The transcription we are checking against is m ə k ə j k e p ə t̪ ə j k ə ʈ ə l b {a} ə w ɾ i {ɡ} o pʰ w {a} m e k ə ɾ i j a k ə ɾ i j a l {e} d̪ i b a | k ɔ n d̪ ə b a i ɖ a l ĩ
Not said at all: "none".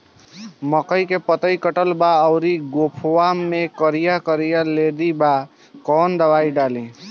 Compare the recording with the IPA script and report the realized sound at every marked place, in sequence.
a, ɡ, a, e

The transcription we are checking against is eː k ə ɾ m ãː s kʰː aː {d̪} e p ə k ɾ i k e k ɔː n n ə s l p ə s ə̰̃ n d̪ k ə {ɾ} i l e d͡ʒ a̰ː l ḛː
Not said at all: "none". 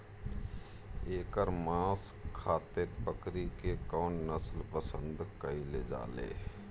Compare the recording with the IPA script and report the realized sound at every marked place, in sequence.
t̪, none

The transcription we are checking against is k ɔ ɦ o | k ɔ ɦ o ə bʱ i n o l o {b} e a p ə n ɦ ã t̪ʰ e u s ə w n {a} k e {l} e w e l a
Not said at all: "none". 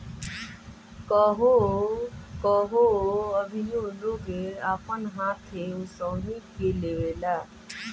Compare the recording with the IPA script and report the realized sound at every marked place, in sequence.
ɡ, i, l

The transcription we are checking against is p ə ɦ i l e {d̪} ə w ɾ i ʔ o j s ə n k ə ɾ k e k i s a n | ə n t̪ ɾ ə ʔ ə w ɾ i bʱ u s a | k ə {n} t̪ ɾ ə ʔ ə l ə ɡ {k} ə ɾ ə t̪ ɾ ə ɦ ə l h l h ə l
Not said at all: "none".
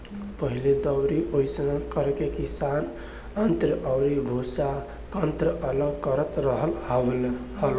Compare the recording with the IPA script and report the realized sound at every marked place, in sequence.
d̪, n, k

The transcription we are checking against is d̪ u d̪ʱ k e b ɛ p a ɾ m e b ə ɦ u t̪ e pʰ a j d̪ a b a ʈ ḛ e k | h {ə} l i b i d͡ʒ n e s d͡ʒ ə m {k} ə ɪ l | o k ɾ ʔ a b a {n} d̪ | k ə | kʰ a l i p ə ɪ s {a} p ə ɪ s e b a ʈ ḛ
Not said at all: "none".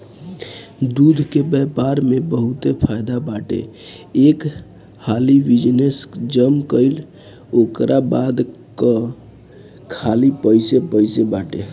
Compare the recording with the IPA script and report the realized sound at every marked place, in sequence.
a, k, none, e

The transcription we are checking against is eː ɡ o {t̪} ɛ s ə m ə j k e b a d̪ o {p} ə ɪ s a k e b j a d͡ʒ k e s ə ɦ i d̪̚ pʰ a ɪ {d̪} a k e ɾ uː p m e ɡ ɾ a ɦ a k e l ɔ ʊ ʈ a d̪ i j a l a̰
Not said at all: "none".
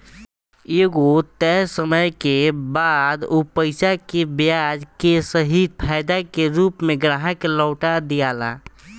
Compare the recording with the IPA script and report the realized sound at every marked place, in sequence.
t̪, p, d̪

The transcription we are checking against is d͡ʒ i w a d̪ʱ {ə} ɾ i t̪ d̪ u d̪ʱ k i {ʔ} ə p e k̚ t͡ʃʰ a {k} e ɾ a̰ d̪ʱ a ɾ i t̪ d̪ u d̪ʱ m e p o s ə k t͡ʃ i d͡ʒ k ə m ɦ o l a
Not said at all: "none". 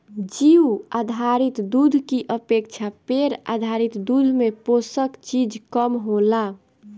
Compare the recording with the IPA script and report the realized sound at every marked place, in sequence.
a, ʔ, p

